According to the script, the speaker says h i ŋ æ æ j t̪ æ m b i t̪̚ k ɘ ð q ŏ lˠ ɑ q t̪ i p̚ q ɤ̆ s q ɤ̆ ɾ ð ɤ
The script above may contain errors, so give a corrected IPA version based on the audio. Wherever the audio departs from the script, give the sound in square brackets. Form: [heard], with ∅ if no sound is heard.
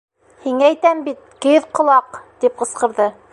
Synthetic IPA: h i ŋ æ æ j t̪ æ m b i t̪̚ k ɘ ð q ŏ lˠ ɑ q t̪ i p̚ q ɤ̆ s q ɤ̆ ɾ ð ɤ